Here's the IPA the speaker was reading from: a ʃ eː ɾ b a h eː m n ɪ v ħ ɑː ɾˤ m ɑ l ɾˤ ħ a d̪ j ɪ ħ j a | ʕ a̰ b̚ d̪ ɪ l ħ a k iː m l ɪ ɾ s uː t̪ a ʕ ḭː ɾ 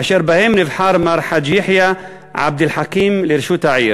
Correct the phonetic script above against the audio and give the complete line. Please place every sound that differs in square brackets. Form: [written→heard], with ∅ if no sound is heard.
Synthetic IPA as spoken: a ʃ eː ɾ b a h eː m n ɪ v ħ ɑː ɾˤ m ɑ [l→∅] ɾˤ ħ a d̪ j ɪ ħ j a | ʕ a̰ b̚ d̪ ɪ l ħ a k iː m l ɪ ɾ [s→ʃ] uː t̪ a ʕ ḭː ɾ